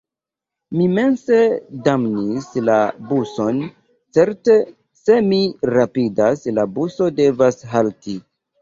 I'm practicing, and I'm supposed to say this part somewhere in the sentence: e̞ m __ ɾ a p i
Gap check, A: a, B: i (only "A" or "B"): B